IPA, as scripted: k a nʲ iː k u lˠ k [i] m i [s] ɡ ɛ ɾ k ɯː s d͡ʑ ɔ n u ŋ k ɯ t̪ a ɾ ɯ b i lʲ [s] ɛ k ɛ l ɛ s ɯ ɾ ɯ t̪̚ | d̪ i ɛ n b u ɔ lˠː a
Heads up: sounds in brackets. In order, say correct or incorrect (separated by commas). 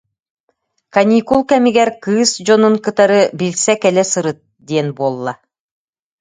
incorrect, incorrect, correct